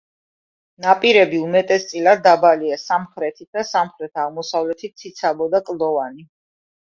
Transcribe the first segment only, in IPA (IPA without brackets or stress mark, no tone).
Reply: n